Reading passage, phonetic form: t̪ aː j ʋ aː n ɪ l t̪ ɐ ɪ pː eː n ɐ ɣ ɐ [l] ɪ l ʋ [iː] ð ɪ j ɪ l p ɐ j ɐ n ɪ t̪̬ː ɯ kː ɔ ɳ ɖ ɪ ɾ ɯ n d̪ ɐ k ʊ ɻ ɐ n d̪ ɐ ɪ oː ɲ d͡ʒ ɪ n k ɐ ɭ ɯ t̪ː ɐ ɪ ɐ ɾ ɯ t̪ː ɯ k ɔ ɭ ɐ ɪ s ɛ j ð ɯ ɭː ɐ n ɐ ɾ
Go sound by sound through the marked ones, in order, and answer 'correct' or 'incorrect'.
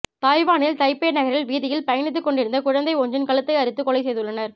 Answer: incorrect, correct

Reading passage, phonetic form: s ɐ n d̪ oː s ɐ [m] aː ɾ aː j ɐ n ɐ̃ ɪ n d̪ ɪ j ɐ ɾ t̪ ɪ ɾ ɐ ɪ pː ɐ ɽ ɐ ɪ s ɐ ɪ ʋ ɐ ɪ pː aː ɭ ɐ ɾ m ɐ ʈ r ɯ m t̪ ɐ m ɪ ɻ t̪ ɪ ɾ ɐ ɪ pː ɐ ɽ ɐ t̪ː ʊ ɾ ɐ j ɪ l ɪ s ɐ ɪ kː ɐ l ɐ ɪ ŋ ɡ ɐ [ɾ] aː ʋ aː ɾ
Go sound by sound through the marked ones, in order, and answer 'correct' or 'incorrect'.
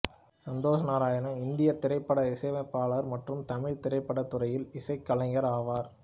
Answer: incorrect, correct

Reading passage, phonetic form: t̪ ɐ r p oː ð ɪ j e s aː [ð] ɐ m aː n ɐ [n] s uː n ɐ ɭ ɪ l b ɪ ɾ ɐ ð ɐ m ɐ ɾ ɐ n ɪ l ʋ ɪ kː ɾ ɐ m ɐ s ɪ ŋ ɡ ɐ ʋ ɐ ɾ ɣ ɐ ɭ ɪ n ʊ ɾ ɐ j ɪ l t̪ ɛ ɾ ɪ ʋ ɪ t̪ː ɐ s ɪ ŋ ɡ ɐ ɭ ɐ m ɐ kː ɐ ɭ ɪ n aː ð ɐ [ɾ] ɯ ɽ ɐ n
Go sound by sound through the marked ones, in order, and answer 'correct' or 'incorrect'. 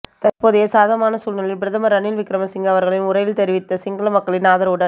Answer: correct, incorrect, correct

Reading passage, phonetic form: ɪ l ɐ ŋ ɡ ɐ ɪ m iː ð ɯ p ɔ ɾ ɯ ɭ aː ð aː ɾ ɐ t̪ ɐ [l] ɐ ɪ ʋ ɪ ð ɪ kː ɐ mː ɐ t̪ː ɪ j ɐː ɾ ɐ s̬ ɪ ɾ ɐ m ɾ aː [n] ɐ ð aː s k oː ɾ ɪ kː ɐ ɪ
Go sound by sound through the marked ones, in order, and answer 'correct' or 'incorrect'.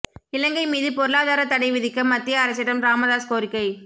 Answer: incorrect, incorrect

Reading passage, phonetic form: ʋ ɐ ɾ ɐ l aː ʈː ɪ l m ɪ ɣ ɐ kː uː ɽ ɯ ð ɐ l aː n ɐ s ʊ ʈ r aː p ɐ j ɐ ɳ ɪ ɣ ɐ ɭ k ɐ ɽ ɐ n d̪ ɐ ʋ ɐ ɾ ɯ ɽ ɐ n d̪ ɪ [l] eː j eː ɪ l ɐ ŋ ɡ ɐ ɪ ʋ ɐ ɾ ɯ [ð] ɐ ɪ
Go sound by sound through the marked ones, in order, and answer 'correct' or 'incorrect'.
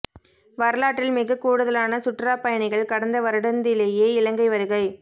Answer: correct, incorrect

